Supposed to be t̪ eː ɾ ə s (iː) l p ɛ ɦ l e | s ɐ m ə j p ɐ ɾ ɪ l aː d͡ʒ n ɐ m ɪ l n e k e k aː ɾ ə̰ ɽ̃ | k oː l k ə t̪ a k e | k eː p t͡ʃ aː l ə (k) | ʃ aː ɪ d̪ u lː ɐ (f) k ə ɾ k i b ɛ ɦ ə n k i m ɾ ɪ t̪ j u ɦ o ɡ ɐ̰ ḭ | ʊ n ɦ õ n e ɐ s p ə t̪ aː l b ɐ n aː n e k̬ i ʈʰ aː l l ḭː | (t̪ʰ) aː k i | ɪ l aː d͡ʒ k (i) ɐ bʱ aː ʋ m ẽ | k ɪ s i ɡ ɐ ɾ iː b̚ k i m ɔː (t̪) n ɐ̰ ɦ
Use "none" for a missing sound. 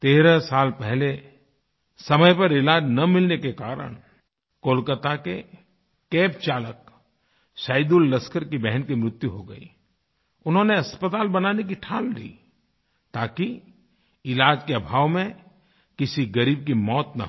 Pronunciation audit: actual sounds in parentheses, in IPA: aː, k, s, t̪, e, t̪

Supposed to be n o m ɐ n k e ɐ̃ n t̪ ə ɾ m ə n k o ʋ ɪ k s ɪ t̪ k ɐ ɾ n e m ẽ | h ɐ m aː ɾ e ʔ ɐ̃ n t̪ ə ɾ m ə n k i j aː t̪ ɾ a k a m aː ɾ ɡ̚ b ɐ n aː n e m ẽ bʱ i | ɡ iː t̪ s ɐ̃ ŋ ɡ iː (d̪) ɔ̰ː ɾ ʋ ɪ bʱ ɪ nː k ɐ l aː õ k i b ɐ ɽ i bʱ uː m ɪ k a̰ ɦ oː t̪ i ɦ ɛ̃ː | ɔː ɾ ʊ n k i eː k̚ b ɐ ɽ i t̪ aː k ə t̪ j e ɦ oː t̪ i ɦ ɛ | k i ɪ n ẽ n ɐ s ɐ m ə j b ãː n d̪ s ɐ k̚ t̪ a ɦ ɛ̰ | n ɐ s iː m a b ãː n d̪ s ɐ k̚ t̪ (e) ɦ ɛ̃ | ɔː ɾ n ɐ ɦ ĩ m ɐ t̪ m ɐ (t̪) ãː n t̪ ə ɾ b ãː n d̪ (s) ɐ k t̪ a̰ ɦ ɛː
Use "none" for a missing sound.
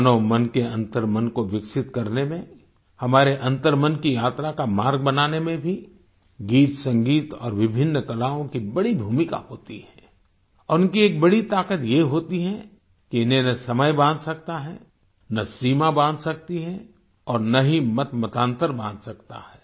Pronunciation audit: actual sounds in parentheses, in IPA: t̪, i, t̪, s

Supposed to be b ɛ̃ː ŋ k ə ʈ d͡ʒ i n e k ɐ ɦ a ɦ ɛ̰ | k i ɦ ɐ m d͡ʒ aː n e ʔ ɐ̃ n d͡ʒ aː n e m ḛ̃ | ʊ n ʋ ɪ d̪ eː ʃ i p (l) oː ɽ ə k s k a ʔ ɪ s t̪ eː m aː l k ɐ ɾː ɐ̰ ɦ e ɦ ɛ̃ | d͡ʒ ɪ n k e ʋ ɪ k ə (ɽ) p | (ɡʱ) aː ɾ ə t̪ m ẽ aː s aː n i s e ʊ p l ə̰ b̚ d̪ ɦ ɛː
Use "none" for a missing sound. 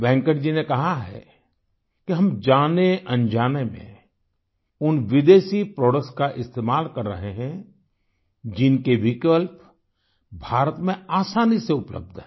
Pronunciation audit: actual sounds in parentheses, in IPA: ɾ, l, bʱ

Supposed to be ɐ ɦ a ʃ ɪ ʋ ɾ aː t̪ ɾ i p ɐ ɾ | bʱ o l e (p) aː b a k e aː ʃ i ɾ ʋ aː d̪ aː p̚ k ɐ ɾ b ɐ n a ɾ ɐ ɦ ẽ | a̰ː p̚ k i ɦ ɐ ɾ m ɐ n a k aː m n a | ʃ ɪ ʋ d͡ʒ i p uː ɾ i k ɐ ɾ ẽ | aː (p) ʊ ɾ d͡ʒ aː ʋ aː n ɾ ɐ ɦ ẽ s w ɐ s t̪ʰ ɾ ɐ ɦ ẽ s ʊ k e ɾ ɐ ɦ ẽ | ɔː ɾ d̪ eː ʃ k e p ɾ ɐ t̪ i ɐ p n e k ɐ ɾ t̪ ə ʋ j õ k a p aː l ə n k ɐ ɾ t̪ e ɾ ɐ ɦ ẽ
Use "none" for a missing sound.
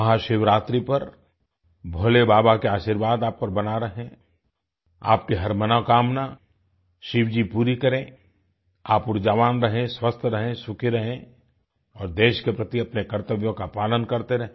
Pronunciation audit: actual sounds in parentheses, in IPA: b, p

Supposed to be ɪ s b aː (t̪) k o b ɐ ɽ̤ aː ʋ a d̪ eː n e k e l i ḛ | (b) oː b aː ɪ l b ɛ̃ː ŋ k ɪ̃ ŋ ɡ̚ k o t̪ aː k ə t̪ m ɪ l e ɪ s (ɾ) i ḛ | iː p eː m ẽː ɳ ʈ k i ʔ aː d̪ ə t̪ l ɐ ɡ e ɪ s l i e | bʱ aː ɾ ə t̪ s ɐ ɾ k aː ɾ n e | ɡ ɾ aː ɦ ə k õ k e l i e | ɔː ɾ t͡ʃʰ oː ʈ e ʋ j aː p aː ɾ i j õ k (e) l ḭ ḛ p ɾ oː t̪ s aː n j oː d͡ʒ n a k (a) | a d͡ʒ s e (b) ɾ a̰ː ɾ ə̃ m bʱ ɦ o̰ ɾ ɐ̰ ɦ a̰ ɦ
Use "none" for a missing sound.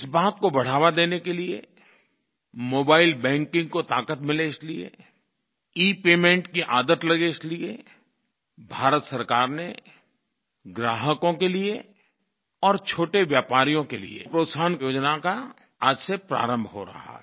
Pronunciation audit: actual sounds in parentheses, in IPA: t̪, m, l, e, a, p

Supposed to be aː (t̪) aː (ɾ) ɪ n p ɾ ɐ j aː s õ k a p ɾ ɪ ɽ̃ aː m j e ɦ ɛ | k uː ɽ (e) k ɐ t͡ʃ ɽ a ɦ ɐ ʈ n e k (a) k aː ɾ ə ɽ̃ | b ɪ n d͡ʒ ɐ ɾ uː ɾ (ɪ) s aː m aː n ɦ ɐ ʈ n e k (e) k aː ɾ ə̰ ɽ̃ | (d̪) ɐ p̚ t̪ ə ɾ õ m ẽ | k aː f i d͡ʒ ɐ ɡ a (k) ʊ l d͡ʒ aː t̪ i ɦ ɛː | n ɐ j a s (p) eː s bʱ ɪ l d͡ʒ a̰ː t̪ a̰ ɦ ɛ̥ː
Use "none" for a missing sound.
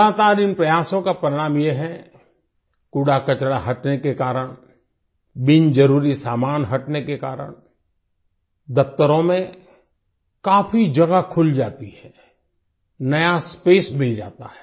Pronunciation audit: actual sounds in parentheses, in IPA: t̪, ɾ, a, e, i, e, d̪, kʰ, p

